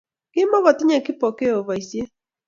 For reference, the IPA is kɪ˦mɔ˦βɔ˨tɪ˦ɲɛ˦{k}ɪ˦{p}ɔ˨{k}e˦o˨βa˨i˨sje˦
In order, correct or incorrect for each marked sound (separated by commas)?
correct, correct, correct